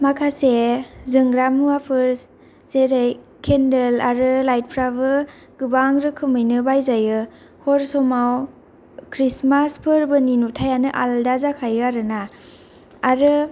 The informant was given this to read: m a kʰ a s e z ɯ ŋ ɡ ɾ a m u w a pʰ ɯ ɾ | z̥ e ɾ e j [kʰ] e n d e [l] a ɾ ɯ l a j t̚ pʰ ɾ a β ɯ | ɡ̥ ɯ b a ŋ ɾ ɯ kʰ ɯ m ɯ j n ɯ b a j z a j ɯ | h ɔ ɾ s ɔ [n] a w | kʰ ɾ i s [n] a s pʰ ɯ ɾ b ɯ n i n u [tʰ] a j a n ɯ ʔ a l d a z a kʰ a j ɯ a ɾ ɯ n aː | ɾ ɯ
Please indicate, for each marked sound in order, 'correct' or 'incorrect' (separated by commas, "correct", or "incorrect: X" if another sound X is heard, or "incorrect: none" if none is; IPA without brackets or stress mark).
correct, correct, incorrect: m, incorrect: m, correct